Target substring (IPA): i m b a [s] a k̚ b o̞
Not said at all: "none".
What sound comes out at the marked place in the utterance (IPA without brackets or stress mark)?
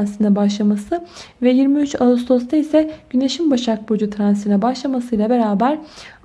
ʃ